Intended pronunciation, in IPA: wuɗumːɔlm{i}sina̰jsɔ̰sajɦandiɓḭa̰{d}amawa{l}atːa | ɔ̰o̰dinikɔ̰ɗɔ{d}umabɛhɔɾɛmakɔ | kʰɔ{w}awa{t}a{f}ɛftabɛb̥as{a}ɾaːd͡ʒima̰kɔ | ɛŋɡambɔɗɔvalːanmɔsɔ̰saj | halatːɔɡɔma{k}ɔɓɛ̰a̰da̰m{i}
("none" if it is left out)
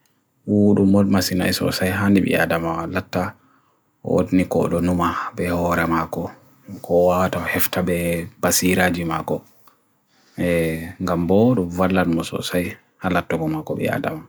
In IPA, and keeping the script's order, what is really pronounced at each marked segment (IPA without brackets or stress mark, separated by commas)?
a, d, l, n, w, t, h, i, k, a